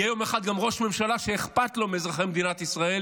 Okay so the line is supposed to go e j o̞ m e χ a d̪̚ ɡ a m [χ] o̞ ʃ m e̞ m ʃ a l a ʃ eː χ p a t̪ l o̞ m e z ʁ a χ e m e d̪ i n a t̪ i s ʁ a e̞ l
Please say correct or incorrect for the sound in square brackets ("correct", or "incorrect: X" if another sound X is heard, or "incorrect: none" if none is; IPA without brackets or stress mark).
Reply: incorrect: ʁ